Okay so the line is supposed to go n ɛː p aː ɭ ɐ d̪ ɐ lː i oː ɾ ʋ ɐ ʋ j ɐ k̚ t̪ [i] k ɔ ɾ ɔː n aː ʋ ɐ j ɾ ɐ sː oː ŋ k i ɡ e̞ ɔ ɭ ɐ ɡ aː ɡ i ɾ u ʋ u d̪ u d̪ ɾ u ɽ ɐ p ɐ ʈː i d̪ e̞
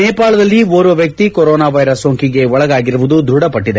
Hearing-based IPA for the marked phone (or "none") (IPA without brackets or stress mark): i